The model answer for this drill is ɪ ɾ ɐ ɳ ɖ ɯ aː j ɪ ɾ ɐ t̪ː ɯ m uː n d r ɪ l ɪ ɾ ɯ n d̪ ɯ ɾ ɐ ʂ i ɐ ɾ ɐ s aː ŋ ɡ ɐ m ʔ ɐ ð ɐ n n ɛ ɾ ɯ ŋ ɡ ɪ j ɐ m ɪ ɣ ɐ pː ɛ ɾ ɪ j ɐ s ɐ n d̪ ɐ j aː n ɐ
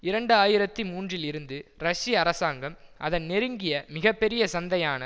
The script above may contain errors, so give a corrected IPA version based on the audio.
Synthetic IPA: ɪ ɾ ɐ ɳ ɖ ɯ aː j ɪ ɾ ɐ t̪ː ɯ m uː n d r ɪ l ɪ ɾ ɯ n d̪ ɯ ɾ ɐ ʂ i ɐ ɾ ɐ s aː ŋ ɡ ɐ m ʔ ɐ ð ɐ n n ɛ ɾ ɯ ŋ ɡ ɪ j ɐ m ɪ ɣ ɐ pː ɛ ɾ ɪ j ɐ s ɐ n d̪ ɐ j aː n ɐ